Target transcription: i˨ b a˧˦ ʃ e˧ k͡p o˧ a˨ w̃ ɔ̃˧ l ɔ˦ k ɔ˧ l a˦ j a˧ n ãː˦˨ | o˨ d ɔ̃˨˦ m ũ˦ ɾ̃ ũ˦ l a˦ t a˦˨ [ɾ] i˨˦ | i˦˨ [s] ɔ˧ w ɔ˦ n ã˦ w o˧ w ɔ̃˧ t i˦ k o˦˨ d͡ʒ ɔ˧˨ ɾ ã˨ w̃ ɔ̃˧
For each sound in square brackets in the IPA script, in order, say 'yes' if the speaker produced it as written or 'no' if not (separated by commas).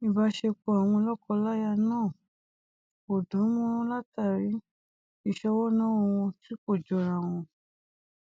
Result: yes, no